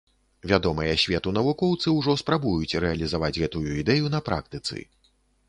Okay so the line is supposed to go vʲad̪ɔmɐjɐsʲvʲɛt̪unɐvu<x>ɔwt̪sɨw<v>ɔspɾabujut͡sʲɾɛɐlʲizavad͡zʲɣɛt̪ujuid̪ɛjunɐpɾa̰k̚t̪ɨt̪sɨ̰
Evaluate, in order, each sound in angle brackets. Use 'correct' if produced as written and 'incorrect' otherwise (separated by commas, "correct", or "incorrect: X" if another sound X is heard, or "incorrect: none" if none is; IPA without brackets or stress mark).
incorrect: k, incorrect: ʐ